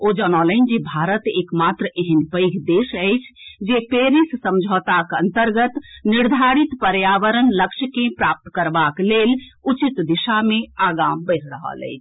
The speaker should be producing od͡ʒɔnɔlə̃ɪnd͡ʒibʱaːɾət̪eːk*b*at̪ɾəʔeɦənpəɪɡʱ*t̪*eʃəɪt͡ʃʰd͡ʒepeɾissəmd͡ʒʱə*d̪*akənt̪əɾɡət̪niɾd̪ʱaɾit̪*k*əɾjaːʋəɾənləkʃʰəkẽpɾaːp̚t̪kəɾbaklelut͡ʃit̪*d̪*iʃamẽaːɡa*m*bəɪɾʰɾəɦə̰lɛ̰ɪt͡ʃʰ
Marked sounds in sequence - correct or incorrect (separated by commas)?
incorrect, incorrect, incorrect, incorrect, correct, correct